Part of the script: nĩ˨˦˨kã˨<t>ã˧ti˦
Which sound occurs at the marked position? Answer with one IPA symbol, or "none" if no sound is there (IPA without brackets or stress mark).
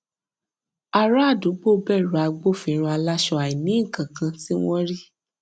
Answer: k